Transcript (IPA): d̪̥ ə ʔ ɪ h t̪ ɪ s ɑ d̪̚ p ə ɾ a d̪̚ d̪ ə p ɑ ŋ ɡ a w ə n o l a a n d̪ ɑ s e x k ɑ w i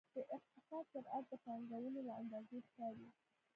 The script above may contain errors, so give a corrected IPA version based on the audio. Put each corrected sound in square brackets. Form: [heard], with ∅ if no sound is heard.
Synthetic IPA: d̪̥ ə ʔ ɪ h t̪ ɪ s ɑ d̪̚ p ə ɾ a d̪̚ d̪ ə p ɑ ŋ ɡ a w ə n o l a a n d̪ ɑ [z] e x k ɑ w i